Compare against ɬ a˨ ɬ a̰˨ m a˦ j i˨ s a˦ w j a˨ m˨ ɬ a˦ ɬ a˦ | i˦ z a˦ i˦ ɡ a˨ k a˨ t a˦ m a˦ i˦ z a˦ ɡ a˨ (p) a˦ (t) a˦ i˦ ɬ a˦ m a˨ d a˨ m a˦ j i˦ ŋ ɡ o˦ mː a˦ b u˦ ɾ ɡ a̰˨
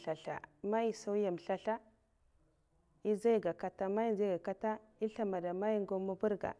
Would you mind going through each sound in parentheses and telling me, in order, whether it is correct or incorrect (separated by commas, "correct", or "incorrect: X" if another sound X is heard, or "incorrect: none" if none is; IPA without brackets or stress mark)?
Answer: incorrect: k, correct